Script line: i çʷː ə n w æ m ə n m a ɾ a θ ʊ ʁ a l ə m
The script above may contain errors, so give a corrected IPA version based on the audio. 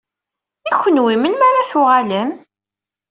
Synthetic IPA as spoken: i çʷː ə n w i m ə n m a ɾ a θ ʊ ʁ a l ə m